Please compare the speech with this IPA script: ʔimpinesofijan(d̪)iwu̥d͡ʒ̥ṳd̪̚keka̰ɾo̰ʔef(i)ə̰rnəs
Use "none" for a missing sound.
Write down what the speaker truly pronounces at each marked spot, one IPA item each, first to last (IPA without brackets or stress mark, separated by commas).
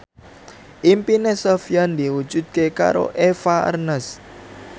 d̪, a